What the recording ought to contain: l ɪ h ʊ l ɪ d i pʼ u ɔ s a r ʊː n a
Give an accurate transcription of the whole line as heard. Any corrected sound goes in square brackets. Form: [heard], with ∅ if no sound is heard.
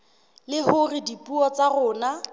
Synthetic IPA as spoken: l ɪ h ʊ [r] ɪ d i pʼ u ɔ [t͡s] a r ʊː n a